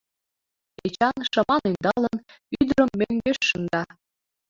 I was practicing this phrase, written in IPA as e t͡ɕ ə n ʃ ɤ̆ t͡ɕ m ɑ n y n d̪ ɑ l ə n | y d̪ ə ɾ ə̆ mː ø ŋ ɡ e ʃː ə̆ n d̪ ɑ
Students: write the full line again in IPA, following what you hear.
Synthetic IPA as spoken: e t͡ɕ ɑ n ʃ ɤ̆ m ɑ n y n d̪ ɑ l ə n | y d̪ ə ɾ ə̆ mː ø ŋ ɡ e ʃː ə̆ n d̪ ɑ